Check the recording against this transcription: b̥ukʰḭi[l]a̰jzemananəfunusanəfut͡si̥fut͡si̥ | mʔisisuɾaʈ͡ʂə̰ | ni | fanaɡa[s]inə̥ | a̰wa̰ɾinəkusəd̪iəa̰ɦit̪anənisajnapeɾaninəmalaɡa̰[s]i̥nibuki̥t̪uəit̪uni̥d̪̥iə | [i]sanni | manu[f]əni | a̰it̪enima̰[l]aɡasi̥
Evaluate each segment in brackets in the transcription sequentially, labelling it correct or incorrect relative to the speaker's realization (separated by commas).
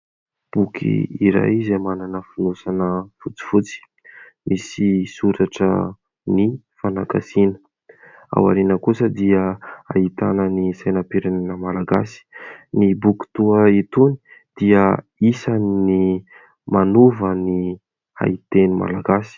incorrect, correct, correct, correct, incorrect, correct